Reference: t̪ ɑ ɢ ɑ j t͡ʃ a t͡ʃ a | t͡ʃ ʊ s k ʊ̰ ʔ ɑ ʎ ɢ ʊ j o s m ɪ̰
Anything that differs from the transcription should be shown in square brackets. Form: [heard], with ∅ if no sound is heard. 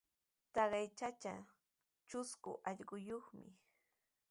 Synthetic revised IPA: t̪ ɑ ɢ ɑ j t͡ʃ a t͡ʃ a | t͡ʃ ʊ s k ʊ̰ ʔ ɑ ʎ ɢ ʊ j o [χ] m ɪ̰